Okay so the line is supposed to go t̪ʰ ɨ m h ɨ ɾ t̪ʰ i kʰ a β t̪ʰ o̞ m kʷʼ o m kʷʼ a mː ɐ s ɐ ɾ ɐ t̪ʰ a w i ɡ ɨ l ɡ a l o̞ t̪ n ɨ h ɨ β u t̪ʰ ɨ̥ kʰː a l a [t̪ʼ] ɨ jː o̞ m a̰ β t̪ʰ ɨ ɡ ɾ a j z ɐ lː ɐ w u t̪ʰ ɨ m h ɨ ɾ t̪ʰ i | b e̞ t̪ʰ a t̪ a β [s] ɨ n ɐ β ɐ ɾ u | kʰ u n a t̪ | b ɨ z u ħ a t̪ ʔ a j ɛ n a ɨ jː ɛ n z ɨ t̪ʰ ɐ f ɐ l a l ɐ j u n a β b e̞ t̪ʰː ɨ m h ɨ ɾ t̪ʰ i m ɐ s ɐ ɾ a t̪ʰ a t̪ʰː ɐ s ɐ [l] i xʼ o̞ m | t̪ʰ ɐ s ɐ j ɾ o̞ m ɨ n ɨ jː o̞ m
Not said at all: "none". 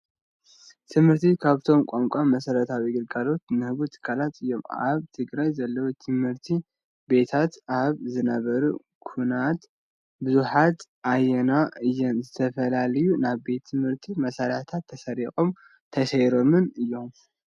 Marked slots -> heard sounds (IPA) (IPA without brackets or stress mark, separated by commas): t̪, z, ɾ